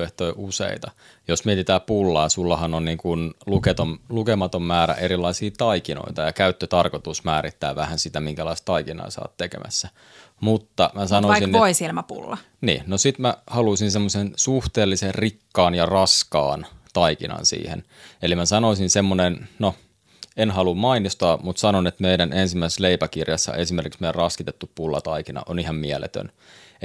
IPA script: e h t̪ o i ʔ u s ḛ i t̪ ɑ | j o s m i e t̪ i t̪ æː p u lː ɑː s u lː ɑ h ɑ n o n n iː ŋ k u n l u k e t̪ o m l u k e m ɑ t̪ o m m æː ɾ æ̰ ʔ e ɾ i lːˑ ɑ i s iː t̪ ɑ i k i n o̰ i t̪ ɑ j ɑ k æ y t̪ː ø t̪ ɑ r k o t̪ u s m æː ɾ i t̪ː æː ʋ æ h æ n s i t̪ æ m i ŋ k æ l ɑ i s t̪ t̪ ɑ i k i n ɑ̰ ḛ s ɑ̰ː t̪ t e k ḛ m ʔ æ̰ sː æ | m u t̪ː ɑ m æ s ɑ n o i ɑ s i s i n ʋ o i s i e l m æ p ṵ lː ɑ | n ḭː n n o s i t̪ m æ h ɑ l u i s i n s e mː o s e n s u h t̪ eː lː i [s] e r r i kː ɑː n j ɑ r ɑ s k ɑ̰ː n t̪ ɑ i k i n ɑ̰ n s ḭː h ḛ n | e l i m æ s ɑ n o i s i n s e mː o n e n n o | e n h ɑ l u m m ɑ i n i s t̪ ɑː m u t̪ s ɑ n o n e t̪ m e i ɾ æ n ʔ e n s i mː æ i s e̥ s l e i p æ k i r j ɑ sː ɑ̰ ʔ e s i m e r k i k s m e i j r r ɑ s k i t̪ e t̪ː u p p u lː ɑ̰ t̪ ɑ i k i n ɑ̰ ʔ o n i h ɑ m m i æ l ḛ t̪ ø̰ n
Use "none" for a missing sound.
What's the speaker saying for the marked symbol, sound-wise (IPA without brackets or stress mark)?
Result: s